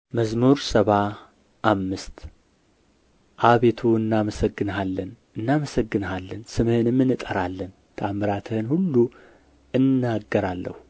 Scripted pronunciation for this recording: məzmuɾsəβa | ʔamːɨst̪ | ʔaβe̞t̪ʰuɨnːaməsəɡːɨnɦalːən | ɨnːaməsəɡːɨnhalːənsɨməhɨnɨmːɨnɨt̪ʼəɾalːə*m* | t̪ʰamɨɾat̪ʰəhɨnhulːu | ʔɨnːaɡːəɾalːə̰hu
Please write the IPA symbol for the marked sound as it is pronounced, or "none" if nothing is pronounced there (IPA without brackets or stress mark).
n